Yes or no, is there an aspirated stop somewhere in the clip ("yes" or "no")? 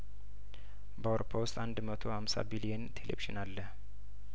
yes